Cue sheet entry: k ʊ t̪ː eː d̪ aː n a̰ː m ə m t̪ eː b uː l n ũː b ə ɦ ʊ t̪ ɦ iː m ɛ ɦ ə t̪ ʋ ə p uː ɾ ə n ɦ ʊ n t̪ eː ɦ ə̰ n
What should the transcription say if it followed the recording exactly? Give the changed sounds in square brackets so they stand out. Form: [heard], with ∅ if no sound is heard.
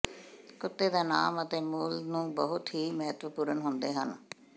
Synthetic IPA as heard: k ʊ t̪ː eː d̪ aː n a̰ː m ə [∅] t̪ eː [m] uː l n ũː b ə ɦ ʊ t̪ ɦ iː m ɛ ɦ ə t̪ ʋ ə p uː ɾ ə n ɦ ʊ n [d̪] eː ɦ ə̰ n